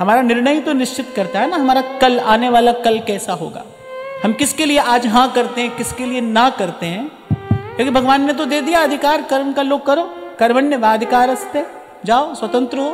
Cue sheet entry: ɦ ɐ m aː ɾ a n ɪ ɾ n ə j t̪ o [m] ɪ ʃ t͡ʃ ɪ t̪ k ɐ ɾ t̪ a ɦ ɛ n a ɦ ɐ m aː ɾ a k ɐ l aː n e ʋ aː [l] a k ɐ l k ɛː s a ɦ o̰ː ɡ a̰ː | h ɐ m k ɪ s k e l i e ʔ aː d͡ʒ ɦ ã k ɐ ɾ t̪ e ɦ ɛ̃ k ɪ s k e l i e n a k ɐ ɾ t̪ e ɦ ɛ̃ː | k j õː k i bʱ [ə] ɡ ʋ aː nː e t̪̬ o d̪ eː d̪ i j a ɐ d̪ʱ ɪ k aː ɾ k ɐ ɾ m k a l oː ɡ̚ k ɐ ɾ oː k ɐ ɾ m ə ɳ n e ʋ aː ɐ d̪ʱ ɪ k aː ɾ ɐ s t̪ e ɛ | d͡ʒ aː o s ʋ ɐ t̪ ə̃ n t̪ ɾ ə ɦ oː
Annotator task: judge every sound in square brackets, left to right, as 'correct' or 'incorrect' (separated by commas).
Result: incorrect, correct, incorrect